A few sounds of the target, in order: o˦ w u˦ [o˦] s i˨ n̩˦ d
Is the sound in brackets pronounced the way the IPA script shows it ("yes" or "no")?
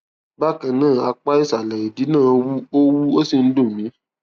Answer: yes